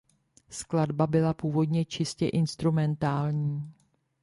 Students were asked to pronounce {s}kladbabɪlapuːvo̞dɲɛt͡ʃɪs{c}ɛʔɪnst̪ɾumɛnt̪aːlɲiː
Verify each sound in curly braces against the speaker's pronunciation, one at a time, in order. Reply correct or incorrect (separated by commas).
correct, correct